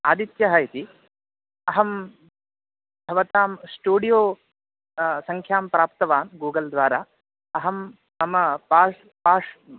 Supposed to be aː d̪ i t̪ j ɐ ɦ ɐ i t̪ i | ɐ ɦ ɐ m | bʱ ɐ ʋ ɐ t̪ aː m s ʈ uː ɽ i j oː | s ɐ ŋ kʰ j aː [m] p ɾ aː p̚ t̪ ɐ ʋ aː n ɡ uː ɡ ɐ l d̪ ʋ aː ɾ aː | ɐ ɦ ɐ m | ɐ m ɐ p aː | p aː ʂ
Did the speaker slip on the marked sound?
no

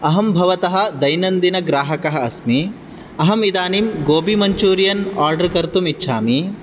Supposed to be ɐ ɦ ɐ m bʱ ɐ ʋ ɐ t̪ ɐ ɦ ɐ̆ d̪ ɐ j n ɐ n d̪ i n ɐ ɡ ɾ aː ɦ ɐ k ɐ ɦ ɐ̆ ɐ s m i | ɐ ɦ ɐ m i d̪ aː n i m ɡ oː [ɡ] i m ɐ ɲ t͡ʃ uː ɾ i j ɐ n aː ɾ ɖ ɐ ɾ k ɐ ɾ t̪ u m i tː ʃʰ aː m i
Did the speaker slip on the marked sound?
yes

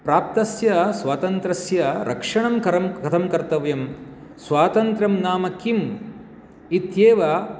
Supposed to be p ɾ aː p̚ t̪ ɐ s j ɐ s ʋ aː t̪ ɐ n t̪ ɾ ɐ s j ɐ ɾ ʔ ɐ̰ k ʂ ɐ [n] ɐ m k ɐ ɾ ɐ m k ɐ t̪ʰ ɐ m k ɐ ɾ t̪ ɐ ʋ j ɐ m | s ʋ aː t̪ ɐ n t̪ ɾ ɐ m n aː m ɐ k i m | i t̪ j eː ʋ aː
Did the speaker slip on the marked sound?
yes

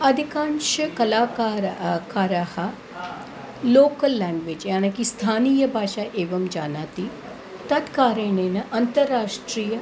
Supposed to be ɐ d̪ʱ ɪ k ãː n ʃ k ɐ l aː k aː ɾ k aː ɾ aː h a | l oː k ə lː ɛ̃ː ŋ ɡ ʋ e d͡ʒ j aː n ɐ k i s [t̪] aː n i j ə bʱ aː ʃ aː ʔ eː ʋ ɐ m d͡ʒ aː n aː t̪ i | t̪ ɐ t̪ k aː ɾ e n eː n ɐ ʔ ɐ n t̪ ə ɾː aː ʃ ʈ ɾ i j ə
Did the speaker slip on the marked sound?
yes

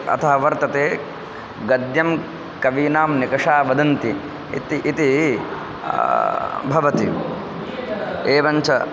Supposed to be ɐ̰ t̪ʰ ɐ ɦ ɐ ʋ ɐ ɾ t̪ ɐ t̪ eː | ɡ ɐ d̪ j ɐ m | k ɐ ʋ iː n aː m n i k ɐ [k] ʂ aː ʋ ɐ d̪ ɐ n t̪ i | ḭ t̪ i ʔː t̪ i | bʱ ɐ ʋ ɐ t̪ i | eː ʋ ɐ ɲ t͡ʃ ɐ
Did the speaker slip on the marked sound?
yes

